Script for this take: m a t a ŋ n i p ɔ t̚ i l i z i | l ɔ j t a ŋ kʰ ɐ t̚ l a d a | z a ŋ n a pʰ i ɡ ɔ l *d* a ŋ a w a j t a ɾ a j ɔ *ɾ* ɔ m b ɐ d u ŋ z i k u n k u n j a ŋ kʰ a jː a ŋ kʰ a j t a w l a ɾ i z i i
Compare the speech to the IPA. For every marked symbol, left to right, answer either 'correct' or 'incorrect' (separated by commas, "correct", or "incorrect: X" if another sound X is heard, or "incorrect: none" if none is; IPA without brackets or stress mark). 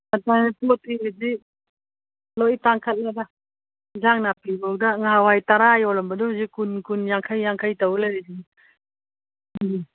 correct, incorrect: l